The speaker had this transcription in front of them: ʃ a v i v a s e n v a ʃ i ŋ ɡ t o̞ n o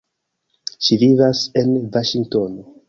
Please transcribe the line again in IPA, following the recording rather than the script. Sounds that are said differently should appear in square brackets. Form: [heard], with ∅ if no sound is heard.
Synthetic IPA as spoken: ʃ [i] v i v a s e n v a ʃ i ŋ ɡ t o̞ n o

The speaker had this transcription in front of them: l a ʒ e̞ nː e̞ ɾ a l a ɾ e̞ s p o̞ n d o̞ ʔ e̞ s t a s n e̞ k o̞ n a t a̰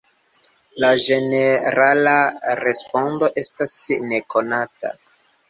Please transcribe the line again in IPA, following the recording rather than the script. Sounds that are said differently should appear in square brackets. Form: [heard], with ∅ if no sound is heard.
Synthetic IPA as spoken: l a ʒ e̞ [n] e̞ ɾ a l a ɾ e̞ s p o̞ n d o̞ ʔ e̞ s t a s n e̞ k o̞ n a t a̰

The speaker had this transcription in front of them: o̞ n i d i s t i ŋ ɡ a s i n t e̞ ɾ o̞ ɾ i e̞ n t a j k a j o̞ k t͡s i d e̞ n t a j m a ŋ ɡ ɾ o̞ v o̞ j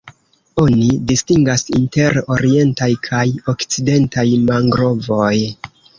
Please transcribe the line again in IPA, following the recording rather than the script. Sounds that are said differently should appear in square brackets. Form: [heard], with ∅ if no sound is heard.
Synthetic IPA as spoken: o̞ n i d i s t i ŋ ɡ a s i n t e̞ ɾ o̞ ɾ i e̞ n t a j [kʰ] a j o̞ k t͡s i d e̞ n t a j m a ŋ ɡ ɾ o̞ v o̞ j

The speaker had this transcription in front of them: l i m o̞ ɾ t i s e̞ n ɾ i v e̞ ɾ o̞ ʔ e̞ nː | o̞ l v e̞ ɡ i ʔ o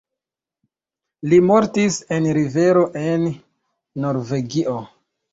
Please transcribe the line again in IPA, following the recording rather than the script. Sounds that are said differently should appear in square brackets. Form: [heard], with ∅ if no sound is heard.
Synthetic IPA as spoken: l i m o̞ ɾ t i s e̞ n ɾ i v e̞ ɾ o̞ ʔ e̞ nː | o̞ [ɾ] v e̞ ɡ i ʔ o

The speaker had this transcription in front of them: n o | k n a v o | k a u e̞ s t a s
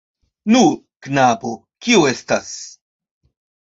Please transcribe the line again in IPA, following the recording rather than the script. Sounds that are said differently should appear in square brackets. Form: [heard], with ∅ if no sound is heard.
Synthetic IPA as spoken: n [u] | k n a [b] o | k [i] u e̞ s t a s

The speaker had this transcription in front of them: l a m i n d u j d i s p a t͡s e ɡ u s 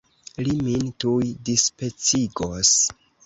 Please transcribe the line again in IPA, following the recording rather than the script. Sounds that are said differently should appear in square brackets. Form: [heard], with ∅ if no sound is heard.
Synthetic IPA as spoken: l [i] m i n [t] u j d i s p [e] t͡s [i] ɡ [o] s

